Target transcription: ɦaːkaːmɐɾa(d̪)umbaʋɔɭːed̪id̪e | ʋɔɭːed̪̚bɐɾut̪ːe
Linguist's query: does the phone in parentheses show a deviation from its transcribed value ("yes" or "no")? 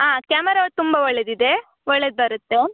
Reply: yes